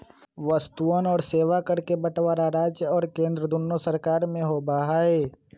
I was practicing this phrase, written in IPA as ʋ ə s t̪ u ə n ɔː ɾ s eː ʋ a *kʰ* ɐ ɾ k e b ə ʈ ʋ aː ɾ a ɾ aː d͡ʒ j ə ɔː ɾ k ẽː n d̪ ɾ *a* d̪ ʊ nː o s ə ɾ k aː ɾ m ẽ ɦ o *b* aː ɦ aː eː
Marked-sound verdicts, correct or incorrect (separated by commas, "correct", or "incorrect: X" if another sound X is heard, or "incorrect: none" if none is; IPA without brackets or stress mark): incorrect: k, incorrect: ə, correct